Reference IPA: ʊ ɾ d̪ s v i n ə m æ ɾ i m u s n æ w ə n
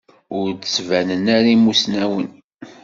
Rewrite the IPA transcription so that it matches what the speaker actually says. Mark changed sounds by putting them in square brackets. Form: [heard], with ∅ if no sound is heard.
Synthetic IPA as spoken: ʊ ɾ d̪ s v [æ] n ə [n] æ ɾ i m u s n æ w ə n